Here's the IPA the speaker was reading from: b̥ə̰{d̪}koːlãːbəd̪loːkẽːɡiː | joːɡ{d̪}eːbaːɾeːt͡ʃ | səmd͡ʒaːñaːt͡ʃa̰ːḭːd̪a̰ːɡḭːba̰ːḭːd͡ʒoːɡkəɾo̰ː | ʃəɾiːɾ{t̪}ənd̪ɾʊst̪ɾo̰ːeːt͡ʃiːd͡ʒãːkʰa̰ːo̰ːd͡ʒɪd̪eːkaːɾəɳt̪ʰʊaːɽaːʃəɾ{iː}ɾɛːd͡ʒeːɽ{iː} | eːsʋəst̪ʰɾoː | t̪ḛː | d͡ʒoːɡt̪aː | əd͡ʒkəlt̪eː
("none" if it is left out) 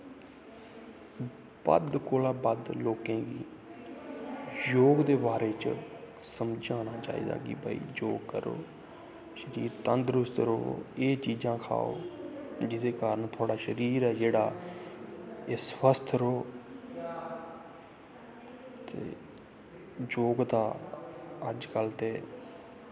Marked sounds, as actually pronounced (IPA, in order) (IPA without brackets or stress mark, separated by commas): d̪, d̪, t̪, iː, aː